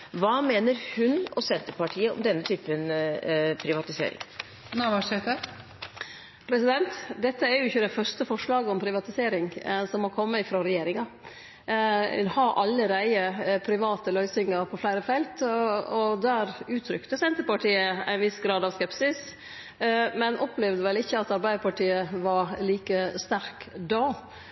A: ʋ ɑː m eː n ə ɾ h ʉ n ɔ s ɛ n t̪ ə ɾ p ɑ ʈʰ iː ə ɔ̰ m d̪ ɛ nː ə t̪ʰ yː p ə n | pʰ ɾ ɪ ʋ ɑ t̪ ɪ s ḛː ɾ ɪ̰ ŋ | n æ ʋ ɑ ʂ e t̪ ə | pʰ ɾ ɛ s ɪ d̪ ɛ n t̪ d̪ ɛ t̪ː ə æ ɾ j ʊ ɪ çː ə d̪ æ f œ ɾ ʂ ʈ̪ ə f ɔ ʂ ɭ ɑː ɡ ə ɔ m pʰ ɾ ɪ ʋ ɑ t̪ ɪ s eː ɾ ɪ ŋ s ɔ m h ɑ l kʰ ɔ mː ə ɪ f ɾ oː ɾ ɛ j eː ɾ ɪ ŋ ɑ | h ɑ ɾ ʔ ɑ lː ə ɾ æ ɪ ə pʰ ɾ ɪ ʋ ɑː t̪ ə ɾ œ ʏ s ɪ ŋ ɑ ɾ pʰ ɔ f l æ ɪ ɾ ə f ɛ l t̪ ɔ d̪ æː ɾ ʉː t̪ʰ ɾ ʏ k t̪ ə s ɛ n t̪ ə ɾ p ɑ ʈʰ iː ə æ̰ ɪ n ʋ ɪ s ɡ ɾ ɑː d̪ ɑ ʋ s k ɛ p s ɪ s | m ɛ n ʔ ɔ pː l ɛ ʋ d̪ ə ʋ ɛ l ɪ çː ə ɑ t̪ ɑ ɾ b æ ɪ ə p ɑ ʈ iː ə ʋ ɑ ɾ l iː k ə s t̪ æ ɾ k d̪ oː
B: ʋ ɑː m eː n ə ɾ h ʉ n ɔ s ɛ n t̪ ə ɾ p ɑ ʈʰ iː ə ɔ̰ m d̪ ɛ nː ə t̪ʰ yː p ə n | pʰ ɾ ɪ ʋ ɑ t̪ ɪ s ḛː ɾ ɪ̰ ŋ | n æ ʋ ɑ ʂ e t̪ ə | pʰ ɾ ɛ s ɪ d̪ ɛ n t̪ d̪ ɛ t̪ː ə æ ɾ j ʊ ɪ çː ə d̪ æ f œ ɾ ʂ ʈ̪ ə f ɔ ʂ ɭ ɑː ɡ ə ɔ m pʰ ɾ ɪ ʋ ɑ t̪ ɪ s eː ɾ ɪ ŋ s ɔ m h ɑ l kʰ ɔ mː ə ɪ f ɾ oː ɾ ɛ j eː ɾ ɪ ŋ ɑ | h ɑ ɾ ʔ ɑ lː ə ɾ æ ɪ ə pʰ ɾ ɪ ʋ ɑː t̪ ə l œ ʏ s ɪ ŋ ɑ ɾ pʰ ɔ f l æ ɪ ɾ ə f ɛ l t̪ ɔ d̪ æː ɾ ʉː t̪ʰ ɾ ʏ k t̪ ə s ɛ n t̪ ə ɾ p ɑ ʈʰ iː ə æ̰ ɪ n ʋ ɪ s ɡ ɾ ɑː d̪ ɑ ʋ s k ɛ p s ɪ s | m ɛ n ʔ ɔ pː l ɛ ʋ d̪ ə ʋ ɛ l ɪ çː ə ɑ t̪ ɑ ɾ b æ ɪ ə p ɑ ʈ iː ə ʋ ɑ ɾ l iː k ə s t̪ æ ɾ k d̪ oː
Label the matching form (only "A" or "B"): B